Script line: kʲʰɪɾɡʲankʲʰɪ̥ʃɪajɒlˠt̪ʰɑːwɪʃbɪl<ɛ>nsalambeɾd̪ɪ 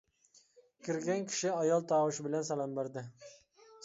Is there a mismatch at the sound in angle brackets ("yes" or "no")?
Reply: yes